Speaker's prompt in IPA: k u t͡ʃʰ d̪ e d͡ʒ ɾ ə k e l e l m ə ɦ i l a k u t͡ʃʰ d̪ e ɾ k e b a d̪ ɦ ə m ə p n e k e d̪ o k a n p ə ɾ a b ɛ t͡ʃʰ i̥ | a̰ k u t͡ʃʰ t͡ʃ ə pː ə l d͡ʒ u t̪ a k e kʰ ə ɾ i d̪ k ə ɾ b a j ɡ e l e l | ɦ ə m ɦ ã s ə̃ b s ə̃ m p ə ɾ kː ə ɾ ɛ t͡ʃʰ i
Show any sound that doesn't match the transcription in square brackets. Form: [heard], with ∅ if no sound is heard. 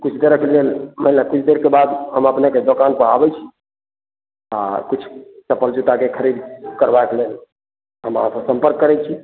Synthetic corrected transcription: k u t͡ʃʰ d̪ e [∅] ɾ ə k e l e l m ə ɦ i l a k u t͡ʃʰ d̪ e ɾ k e b a d̪ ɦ ə m ə p n e k e d̪ o k a n p ə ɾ a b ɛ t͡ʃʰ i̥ | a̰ k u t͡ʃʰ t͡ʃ ə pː ə l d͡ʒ u t̪ a k e kʰ ə ɾ i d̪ k ə ɾ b a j [k] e l e l | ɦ ə m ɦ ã s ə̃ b s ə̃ m p ə ɾ kː ə ɾ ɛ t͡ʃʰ i